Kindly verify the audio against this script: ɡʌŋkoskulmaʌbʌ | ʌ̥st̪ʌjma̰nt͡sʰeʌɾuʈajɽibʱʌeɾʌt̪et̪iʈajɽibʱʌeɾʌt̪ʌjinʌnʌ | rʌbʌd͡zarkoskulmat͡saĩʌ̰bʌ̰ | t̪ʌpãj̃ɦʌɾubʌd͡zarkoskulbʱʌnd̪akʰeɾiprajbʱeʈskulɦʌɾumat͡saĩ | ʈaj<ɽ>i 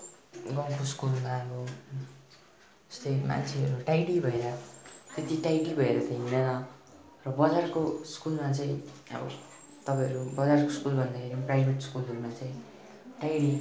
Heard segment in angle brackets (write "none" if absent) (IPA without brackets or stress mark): ɽ